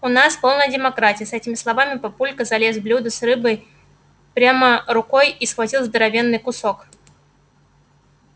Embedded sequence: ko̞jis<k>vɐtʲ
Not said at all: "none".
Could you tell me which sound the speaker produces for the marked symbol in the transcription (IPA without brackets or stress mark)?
x